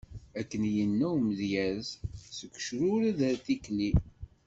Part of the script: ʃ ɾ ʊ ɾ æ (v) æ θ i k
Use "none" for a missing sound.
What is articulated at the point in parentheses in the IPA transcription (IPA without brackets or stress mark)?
ð